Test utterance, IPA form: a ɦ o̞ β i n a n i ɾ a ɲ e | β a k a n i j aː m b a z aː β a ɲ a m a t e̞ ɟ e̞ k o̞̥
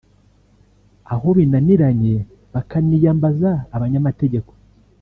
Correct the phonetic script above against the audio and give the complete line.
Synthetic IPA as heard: a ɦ o̞ β i n a n i ɾ a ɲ e | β a k a n i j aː m b a z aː β a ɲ a m a t e̞ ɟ e̞ k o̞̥